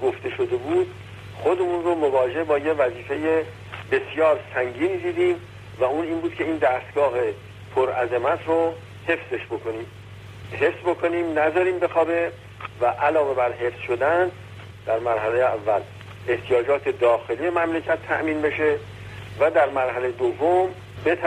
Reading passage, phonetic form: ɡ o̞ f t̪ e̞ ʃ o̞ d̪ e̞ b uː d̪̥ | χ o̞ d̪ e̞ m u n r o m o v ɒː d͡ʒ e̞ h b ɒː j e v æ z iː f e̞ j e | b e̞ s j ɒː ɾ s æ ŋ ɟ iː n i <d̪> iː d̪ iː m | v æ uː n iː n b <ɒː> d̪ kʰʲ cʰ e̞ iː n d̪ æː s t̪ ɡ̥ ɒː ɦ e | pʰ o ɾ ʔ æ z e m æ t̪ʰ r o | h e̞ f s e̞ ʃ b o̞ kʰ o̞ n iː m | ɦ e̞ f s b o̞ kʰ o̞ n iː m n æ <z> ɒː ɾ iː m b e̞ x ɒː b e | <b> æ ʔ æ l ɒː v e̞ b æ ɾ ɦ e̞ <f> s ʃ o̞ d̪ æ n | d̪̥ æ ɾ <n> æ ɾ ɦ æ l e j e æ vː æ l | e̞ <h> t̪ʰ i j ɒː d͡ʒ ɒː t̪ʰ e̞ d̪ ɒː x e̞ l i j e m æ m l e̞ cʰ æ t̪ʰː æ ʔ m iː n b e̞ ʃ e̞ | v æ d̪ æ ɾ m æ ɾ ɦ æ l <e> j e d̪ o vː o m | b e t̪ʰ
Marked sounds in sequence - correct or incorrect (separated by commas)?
correct, incorrect, correct, incorrect, correct, incorrect, correct, correct